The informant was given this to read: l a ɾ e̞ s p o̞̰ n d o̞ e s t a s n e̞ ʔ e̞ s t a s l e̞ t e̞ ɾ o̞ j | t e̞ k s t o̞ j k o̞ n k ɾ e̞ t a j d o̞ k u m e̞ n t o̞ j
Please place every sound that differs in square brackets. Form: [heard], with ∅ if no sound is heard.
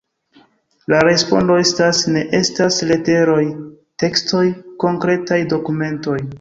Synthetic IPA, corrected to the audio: l a ɾ e̞ s p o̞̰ n d o̞ e s t a s n e̞ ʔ e̞ s t a s l e̞ t e̞ ɾ o̞ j | t e̞ k s t o̞ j k o̞ [ŋ] k ɾ e̞ t a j d o̞ k u m e̞ n t o̞ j